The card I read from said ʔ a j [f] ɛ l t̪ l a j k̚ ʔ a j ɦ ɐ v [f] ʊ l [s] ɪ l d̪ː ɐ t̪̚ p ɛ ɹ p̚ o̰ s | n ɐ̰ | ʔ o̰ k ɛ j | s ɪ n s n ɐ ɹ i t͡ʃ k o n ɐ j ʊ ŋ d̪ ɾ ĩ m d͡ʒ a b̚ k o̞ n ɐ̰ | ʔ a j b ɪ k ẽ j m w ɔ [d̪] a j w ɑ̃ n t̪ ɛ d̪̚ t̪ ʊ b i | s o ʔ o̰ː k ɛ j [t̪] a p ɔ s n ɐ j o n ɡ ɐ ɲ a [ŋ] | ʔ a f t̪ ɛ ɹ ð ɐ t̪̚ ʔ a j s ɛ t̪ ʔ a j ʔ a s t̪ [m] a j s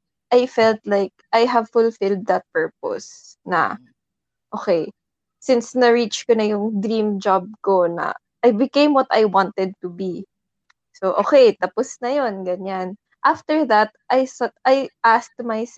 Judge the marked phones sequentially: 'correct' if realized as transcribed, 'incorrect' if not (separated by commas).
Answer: correct, correct, incorrect, incorrect, correct, incorrect, correct